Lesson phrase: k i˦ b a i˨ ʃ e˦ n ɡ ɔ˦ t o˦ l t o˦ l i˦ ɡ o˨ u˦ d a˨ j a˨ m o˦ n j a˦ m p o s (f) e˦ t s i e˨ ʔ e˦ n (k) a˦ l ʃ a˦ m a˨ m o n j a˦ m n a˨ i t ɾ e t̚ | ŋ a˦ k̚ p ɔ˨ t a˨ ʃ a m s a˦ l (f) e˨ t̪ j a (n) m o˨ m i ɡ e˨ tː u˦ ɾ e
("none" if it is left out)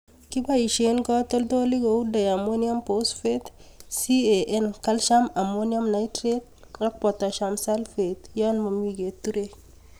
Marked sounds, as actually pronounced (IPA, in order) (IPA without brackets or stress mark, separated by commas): f, k, f, n